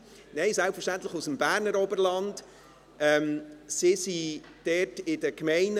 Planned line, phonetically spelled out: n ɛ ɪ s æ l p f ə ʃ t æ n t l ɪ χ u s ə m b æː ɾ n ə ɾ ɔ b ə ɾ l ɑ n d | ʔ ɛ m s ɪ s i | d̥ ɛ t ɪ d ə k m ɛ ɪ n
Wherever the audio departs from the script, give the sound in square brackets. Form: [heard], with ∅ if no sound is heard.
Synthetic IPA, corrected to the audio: n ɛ ɪ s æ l p f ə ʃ t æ n t l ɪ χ u s ə m b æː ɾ n ə ɾ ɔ b ə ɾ l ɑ n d | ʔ ɛ m s ɪ s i | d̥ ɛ t ɪ d ə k m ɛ ɪ n

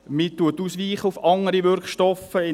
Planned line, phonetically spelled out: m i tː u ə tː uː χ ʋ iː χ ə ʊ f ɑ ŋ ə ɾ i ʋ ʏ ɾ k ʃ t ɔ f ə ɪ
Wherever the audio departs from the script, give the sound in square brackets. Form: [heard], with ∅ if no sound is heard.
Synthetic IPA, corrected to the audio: m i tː u ə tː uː [s] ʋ iː χ ə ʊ f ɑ ŋ ə ɾ i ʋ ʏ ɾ k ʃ t ɔ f ə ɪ

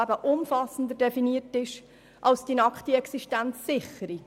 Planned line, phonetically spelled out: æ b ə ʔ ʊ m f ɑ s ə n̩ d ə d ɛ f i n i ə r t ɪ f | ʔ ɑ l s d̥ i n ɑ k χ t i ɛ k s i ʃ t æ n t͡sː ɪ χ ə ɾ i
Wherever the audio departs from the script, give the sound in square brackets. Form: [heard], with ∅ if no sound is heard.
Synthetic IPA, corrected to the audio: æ b ə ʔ ʊ m f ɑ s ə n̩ d ə d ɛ f i n i ə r t ɪ [ʃ] | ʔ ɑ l s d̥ i n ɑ k χ t i ɛ k s i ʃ t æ n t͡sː ɪ χ ə ɾ i

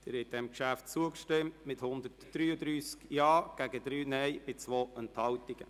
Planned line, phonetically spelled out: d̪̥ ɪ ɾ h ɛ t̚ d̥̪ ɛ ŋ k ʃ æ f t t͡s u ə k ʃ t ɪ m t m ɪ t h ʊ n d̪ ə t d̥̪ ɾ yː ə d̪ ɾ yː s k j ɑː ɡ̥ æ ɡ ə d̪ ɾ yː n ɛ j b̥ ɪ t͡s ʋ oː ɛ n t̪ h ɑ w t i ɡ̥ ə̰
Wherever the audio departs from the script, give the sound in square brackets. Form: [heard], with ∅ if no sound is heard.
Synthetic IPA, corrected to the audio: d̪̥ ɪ ɾ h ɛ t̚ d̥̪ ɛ [m] k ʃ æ f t t͡s u ə k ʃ t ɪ m t m ɪ t h ʊ n d̪ ə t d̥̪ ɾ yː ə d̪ ɾ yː s k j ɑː ɡ̥ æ ɡ ə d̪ ɾ yː n ɛ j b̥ ɪ t͡s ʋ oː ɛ n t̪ h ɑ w t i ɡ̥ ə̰

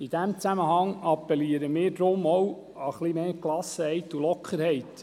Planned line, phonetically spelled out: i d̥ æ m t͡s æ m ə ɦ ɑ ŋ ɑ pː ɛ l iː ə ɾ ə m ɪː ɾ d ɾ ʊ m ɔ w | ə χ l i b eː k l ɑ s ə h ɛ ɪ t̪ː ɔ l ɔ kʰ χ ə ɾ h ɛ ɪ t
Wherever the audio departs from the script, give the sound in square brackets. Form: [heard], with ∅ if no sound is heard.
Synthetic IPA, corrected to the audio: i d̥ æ m t͡s æ m ə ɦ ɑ ŋ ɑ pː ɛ l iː ə ɾ ə m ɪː ɾ d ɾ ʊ m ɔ w | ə χ l i [m] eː k l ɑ s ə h ɛ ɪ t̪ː [u] l ɔ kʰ χ ə ɾ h ɛ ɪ t

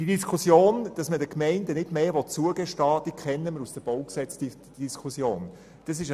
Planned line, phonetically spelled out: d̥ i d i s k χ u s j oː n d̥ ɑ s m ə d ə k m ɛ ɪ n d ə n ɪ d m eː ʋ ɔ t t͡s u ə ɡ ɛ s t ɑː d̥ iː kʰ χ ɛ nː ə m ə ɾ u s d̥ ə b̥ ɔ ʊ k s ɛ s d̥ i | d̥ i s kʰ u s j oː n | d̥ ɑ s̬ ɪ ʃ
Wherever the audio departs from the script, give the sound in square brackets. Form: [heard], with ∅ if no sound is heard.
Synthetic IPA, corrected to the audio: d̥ i d i s k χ u s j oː n d̥ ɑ s m ə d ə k m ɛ ɪ n d ə n ɪ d m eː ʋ ɔ t t͡s u ə ɡ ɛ [ʃ] t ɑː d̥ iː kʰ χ ɛ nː ə m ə ɾ u s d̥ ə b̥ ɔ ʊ k s ɛ [t͡s] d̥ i | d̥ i s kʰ u s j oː n | d̥ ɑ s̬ ɪ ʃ

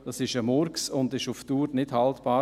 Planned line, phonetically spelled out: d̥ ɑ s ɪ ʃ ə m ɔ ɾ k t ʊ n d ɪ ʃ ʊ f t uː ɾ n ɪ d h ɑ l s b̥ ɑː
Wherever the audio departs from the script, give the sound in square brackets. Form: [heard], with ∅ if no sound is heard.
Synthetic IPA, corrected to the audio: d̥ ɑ s ɪ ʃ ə m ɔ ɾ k [s] ʊ n d ɪ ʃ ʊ f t uː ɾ n ɪ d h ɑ l [t] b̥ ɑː

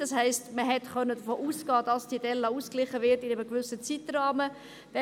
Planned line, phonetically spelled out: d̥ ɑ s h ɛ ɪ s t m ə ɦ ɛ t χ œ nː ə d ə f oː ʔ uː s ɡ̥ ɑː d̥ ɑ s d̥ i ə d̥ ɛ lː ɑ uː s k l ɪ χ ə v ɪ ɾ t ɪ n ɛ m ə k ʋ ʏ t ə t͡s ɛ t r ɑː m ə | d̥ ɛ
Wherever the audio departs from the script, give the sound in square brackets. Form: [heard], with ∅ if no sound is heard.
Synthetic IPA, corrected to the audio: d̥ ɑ s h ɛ ɪ s t m ə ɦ ɛ t χ œ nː ə d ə f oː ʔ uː s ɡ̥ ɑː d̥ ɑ s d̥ i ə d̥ ɛ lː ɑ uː s k l ɪ χ ə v ɪ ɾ t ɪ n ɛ m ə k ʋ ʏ [s] ə t͡s [i] t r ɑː m ə | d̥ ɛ

